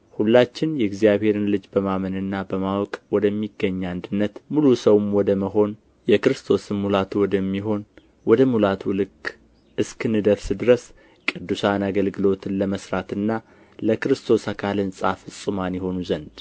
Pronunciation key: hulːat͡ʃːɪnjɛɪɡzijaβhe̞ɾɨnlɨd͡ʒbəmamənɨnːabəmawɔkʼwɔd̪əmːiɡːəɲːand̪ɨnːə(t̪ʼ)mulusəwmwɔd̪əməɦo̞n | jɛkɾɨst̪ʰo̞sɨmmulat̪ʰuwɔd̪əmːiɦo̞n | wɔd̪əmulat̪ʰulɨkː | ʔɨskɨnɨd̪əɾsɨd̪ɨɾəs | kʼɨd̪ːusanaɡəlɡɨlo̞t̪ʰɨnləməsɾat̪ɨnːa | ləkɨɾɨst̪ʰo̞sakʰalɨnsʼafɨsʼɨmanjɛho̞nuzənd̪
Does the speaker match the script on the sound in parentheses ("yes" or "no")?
no